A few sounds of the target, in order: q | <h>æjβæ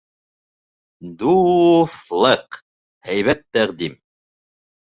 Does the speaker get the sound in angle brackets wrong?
no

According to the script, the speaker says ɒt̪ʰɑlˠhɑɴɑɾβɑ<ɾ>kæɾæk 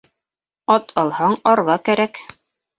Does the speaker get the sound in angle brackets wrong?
yes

